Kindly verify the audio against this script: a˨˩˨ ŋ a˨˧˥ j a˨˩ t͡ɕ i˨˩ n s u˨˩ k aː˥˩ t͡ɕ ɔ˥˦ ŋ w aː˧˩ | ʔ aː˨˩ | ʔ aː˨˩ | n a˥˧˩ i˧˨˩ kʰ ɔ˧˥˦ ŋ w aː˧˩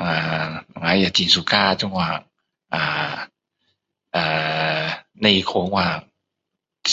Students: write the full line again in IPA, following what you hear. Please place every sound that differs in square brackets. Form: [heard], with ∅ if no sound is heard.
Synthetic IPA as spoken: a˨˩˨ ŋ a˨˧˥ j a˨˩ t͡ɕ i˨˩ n s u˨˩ k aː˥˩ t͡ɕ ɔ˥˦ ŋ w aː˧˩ | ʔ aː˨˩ | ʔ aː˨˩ | n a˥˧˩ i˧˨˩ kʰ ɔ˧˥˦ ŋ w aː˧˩